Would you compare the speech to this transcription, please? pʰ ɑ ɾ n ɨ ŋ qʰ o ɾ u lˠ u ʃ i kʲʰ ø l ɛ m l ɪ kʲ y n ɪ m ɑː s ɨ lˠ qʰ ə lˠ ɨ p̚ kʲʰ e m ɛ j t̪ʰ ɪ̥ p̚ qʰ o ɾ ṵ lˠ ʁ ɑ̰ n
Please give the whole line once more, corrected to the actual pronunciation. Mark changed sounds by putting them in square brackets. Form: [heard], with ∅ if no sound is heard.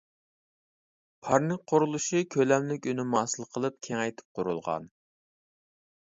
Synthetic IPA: pʰ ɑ ɾ n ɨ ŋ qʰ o ɾ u lˠ u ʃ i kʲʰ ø l ɛ m l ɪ kʲ y n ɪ m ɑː s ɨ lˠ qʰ ə lˠ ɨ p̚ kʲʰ e [ŋ] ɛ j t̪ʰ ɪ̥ p̚ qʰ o ɾ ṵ lˠ ʁ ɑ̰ n